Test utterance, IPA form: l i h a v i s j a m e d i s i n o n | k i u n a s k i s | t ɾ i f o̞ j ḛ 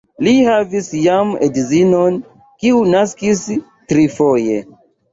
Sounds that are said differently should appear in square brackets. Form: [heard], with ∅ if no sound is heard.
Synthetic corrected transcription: l i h a v i s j a m e d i [z] i n o n | k i u n a s k i s | t ɾ i f o̞ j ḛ